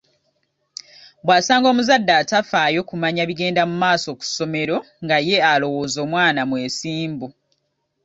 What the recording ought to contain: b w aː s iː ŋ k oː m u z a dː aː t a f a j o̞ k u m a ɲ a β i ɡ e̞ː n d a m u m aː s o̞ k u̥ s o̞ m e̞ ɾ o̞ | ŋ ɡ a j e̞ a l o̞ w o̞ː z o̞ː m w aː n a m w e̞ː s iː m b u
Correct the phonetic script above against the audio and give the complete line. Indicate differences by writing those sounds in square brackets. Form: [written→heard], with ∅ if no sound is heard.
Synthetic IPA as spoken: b w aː s [iː→aː] ŋ [k→ɡ] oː m u z a dː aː t a f a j o̞ k u m a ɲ a β i ɡ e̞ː n d a m u m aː s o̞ k u̥ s o̞ m e̞ ɾ o̞ | ŋ ɡ a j e̞ a l o̞ w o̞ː z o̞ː m w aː n a m w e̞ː s iː m b u

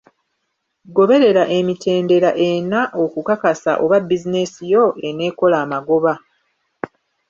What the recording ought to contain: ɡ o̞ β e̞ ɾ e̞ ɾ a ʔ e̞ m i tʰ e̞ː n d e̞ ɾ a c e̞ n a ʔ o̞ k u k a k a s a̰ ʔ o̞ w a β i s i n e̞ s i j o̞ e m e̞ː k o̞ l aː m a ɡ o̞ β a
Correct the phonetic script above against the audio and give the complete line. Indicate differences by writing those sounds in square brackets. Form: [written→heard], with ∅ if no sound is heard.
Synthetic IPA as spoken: ɡ o̞ β e̞ ɾ e̞ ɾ a ʔ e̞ m i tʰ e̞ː n d e̞ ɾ a [c→ʔ] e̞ n a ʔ o̞ k u k a k a s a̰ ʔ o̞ [w→β] a [β→b] i [s→z] i n e̞ s i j o̞ e [m→n] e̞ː k o̞ l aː m a ɡ o̞ β a

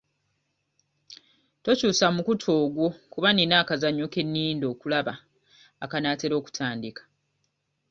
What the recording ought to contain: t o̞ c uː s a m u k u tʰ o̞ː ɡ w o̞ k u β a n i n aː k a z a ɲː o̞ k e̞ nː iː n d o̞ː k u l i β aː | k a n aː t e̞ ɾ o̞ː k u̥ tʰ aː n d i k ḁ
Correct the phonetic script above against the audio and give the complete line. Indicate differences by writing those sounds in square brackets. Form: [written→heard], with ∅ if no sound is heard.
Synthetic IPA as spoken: t o̞ c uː s a m u k u tʰ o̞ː ɡ w o̞ k u β a n i n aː k a z a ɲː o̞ k e̞ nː iː n d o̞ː k u l [i→a] β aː | k a n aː t e̞ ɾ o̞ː k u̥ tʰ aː n d i k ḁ

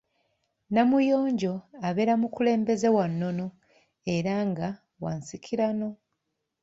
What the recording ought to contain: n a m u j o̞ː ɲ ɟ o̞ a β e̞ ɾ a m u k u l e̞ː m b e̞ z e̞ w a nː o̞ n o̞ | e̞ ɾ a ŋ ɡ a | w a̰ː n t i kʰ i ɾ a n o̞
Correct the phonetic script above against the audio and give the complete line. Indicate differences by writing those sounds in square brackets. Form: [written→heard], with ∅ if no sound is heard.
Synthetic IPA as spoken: n a m u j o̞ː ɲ ɟ o̞ a β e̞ ɾ a m u k u l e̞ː m b e̞ z e̞ w a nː o̞ n o̞ | e̞ ɾ a ŋ ɡ a | w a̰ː n [t→s] i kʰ i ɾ a n o̞

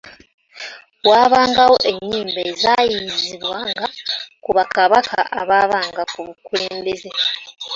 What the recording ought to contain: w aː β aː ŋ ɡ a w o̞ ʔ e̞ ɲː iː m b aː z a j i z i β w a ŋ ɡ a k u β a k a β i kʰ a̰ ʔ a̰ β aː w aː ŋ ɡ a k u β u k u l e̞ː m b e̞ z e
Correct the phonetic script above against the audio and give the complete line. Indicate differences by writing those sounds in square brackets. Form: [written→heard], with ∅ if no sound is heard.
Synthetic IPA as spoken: w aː β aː ŋ ɡ a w o̞ ʔ e̞ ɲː iː m b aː z a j i z i β w a ŋ ɡ a k u β a k a β [i→a] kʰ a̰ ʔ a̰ β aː [w→β] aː ŋ ɡ a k u β u k u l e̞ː m b e̞ z e

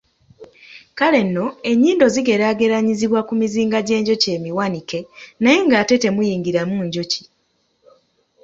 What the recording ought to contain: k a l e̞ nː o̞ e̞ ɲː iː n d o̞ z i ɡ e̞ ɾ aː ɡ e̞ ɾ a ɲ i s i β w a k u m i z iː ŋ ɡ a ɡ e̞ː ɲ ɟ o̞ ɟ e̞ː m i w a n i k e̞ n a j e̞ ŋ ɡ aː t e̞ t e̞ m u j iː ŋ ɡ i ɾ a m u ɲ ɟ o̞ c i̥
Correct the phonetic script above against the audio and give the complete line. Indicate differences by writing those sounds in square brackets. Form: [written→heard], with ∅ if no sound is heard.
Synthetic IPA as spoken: k a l e̞ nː o̞ e̞ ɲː iː n d o̞ z i ɡ e̞ ɾ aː ɡ e̞ ɾ a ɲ i [s→z] i β w a k u m i z iː ŋ ɡ a [ɡ→ɟ] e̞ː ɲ ɟ o̞ [ɟ→c] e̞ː m i w a n i k e̞ n a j e̞ ŋ ɡ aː t e̞ t e̞ m u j iː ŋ ɡ i ɾ a m u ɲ ɟ o̞ c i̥

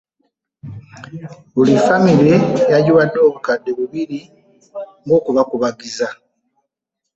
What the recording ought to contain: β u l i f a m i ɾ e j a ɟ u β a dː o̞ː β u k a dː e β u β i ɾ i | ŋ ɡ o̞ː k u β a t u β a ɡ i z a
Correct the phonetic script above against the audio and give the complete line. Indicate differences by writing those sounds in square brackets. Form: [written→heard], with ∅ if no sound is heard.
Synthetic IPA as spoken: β u l i f a m i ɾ e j a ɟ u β a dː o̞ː β u k a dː e β u β i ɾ i | ŋ ɡ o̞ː k u β a [t→k] u β a ɡ i z a

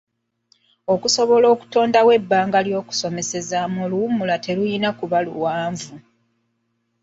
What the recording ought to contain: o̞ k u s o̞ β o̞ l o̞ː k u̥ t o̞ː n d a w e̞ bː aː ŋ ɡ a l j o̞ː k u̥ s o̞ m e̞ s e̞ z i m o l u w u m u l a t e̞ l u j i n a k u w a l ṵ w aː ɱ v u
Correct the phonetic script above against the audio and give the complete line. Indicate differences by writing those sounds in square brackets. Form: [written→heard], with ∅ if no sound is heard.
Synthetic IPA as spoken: o̞ k u s o̞ β o̞ l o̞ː k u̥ t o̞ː n d a w e̞ bː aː ŋ ɡ a l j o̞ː k u̥ s o̞ m e̞ s e̞ z [i→a] m o l u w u m u l a t e̞ l u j i n a k u [w→β] a l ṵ w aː ɱ v u

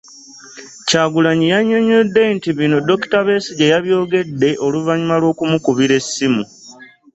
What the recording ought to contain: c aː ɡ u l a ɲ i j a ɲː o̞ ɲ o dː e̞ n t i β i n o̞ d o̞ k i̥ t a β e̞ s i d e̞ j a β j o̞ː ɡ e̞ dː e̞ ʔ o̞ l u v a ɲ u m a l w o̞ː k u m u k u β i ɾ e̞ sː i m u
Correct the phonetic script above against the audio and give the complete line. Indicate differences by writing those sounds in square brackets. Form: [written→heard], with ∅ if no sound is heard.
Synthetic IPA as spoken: c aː ɡ u l a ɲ i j a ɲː o̞ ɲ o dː e̞ n t i β i n o̞ d o̞ k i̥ t a β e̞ s i [d→ɟ] e̞ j a β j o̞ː ɡ e̞ dː e̞ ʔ o̞ l u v a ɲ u m a l w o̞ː k u m u k u β i ɾ e̞ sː i m u

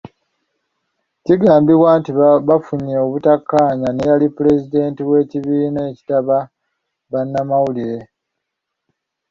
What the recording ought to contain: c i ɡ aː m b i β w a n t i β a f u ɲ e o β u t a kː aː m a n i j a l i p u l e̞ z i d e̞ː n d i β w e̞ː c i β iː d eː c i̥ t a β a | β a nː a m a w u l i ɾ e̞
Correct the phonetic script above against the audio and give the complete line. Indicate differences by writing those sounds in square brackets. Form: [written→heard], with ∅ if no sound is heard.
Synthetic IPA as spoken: c i ɡ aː m b i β w a n t i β a f u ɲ e o β u t a kː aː [m→ɲ] a n [i→e] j a l i p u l e̞ z i d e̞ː n [d→t] i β w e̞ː c i β iː [d→n] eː c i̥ t a β a | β a nː a m a w u l i ɾ e̞

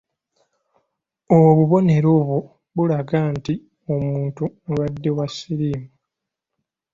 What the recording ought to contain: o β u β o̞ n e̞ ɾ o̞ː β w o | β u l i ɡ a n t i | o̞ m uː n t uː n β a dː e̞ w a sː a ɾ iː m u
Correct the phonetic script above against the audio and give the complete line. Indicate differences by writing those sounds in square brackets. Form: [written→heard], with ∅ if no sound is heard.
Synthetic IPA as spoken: o β u β o̞ n e̞ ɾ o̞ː β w o | β u l [i→a] ɡ a n t i | o̞ m uː n t [uː→u] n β a dː e̞ w a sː [a→i] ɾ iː m u

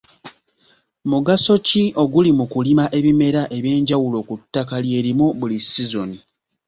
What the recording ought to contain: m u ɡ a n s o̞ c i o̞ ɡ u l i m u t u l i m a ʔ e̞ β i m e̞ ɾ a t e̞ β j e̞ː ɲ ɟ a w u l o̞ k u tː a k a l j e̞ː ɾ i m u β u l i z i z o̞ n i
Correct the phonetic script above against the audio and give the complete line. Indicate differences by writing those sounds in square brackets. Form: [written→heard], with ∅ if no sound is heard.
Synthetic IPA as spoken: m u ɡ a [n→∅] s o̞ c i o̞ ɡ u l i m u [t→k] u l i m a ʔ e̞ β i m e̞ ɾ a [t→ʔ] e̞ β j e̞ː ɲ ɟ a w u l o̞ k u tː a k a l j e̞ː ɾ i m u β u l i [z→s] i z o̞ n i

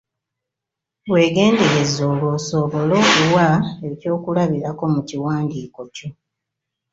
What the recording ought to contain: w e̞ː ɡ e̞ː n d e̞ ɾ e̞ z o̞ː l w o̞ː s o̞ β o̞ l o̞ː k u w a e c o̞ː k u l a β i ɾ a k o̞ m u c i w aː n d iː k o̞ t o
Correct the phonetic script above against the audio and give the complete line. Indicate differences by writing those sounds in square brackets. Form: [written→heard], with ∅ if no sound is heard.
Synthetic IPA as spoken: w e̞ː ɡ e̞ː n d e̞ ɾ e̞ z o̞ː l w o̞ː s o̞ β o̞ l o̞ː k u w a e c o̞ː k u l a β i ɾ a k o̞ m u c i w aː n d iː k o̞ [t→c] o

